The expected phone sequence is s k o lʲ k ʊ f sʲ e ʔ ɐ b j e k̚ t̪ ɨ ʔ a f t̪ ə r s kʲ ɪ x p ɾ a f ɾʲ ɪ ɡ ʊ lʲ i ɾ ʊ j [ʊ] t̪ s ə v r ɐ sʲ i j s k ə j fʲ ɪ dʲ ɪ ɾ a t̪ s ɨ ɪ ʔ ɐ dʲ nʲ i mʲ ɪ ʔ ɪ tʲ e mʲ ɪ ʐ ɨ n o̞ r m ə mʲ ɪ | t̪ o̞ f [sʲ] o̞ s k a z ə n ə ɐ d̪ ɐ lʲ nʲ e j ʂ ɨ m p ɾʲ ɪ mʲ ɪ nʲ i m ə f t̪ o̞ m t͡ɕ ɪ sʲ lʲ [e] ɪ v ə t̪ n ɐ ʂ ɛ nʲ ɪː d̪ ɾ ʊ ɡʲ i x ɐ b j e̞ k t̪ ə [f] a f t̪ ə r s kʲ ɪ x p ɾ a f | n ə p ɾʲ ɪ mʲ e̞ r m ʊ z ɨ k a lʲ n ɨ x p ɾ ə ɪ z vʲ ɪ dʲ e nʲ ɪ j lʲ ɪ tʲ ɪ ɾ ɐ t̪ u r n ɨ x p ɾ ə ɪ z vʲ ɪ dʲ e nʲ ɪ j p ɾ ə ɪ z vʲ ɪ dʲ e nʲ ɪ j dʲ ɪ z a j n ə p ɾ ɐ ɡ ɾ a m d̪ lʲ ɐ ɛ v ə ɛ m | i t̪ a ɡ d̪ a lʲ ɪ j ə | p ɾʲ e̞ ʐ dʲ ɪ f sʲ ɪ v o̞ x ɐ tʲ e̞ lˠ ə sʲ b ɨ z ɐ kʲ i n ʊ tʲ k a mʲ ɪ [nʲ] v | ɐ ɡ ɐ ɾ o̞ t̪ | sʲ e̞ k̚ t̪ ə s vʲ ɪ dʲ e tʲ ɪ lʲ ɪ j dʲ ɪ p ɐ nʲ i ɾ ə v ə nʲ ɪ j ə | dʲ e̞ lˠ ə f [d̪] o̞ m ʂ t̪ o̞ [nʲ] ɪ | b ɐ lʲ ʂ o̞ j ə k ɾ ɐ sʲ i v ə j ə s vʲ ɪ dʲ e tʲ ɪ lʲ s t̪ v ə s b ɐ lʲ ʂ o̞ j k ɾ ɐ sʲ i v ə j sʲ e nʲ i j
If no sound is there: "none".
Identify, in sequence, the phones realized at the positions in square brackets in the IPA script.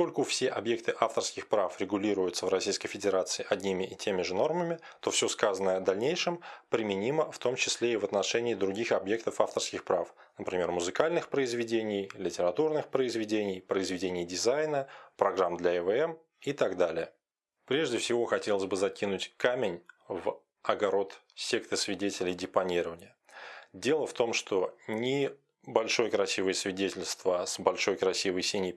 ʊ, sʲ, e, f, nʲ, t̪, nʲ

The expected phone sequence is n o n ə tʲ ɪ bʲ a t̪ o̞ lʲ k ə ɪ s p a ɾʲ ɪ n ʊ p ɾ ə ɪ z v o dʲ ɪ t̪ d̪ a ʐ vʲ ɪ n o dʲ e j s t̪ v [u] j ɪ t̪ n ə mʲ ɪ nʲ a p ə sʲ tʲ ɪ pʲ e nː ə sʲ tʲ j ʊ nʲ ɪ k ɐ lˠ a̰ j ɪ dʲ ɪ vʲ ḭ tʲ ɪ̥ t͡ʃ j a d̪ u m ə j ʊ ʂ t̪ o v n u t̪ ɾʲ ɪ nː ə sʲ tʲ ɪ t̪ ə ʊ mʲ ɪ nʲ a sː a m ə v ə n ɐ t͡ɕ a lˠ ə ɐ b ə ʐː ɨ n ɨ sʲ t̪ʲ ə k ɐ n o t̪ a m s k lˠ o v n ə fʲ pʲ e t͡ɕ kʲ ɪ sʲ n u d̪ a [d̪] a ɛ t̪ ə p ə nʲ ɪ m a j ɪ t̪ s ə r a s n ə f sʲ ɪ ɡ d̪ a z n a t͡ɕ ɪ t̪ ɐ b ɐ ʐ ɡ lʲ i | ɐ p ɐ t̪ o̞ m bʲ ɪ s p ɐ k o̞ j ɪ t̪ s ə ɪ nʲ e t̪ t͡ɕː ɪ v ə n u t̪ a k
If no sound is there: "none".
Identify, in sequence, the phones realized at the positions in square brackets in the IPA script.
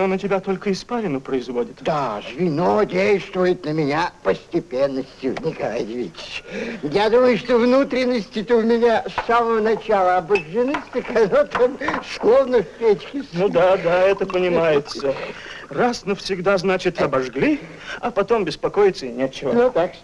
ʊ, d̪

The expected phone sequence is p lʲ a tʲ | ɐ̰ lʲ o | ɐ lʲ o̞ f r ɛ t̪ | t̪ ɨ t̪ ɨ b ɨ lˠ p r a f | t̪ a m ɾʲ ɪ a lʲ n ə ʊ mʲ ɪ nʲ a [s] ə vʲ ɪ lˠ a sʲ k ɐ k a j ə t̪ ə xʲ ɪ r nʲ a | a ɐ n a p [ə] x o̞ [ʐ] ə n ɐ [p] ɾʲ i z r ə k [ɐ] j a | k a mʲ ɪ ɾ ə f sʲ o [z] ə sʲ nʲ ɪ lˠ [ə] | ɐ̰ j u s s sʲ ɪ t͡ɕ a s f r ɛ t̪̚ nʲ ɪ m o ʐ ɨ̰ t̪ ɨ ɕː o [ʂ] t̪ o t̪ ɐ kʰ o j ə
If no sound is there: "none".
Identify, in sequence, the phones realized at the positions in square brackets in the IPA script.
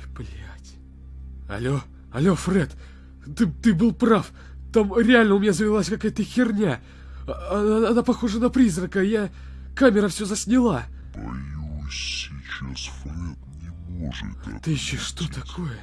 z, ɐ, ʐ, p, ə, z, a, ʂ

